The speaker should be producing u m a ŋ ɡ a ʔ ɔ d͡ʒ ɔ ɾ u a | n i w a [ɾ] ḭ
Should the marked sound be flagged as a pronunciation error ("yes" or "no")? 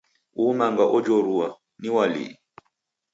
yes